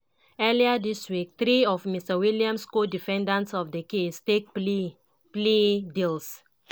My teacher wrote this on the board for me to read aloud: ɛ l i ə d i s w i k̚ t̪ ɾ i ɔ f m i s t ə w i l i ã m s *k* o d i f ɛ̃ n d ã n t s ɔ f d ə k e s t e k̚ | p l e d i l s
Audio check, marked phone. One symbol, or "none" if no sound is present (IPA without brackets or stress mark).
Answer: k